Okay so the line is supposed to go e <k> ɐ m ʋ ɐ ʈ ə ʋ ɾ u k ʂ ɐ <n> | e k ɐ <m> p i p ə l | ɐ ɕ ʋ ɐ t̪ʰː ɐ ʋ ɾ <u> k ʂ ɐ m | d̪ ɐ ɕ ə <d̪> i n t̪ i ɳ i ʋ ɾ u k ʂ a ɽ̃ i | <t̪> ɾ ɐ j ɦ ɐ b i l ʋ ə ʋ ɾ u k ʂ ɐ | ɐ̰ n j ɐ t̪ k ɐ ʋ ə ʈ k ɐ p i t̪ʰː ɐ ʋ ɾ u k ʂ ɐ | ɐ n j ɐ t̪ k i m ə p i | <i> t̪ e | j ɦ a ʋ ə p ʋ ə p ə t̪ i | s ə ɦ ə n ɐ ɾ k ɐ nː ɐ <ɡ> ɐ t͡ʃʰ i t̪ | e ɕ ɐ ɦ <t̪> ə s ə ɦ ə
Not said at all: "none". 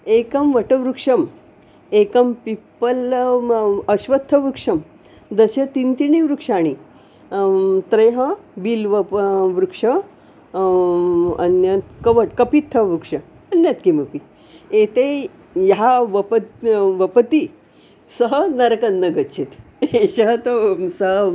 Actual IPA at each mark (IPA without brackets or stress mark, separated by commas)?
k, m, m, u, t̪, t̪, e, ɡ, t̪